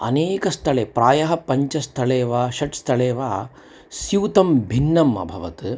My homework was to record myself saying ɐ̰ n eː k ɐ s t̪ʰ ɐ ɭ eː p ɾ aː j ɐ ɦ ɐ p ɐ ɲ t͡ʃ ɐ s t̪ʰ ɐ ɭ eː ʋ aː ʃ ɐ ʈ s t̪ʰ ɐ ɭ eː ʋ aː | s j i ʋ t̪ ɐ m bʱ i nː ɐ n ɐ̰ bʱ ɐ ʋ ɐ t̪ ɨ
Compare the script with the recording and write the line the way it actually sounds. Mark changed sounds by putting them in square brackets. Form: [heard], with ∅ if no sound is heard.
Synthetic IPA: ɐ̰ n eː k ɐ s t̪ʰ ɐ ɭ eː p ɾ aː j ɐ ɦ ɐ p ɐ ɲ t͡ʃ ɐ s t̪ʰ ɐ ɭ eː ʋ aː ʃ ɐ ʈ s t̪ʰ ɐ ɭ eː ʋ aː | s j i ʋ t̪ ɐ m bʱ i nː ɐ [m] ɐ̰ bʱ ɐ ʋ ɐ t̪ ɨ